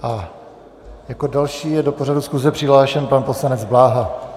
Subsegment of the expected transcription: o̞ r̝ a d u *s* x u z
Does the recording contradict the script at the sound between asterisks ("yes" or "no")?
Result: no